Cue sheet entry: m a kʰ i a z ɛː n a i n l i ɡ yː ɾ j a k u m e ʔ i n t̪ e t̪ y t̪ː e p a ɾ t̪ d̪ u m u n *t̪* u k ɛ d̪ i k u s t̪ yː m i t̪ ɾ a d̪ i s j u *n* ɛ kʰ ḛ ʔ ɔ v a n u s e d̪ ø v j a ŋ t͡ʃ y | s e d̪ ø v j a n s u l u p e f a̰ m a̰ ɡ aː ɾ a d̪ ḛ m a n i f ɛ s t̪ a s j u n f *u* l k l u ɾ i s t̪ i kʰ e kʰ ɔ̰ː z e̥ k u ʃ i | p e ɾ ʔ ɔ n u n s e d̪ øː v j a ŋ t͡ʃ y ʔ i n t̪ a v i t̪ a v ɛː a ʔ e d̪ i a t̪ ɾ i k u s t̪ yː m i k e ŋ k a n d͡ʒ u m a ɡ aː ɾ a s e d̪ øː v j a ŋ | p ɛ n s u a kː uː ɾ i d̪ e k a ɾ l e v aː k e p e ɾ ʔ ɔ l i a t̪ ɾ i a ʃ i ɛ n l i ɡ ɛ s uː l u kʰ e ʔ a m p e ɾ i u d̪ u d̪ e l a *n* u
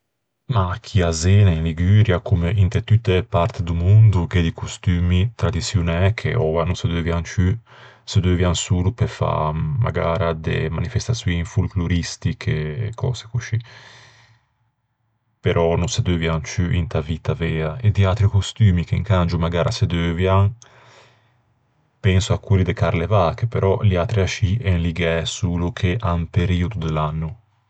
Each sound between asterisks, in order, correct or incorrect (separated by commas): incorrect, correct, correct, incorrect